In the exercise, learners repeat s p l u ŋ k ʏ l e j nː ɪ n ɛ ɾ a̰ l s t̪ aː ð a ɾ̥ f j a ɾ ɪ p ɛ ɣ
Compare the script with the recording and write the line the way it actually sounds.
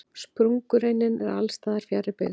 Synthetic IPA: s p ɾ u ŋ k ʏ ɾ e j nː ɪ n ɛ ɾ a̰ l s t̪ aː ð a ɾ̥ f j a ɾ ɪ p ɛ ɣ